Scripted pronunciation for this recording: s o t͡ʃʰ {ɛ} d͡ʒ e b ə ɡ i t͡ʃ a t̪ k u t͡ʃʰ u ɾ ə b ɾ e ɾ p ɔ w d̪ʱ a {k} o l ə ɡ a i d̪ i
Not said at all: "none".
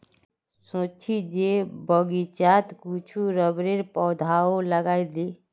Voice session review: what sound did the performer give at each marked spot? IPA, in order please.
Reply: i, none

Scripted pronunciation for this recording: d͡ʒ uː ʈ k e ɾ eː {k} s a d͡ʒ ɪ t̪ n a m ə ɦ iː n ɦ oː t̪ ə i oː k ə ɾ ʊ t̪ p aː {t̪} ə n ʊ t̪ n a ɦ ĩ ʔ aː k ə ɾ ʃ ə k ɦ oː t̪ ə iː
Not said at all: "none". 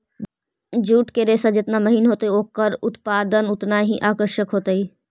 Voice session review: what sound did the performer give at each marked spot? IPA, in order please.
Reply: none, d̪

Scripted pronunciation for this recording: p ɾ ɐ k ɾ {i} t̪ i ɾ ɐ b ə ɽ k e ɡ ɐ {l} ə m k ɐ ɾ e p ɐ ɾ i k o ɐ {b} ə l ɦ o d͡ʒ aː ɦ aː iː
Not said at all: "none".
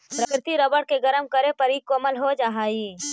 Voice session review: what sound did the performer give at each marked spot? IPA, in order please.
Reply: ɪ, ɾ, m

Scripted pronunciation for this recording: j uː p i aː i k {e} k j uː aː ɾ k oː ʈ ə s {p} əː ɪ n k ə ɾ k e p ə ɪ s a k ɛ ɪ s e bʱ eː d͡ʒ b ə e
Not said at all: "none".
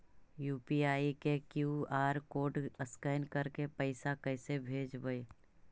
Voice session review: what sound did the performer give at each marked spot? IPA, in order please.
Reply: e, k

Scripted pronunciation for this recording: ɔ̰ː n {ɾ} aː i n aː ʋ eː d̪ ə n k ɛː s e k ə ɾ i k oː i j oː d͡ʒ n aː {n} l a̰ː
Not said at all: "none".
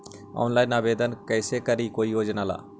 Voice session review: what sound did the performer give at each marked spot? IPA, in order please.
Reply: l, none

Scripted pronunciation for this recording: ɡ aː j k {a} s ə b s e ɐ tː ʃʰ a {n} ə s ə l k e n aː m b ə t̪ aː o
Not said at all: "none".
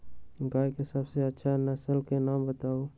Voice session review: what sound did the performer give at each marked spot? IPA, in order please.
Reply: e, n

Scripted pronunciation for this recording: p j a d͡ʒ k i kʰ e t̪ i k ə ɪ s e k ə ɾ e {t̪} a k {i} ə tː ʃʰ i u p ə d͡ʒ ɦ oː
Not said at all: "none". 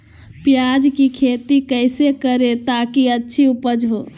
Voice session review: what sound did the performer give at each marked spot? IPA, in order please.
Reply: t̪, i

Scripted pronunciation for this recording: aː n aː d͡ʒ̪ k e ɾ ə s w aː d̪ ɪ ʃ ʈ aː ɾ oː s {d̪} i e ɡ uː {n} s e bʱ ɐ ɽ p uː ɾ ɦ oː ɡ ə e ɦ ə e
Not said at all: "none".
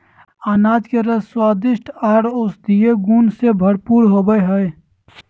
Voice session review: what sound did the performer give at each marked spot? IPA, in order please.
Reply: d̪, n

